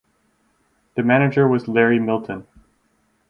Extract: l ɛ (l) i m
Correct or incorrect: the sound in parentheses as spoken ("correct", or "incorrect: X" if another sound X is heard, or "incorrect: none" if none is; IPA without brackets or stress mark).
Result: incorrect: ɹ